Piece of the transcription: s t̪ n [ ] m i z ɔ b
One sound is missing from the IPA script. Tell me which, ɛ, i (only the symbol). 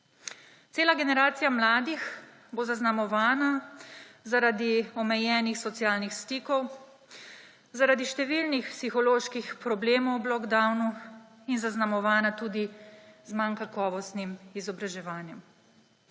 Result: i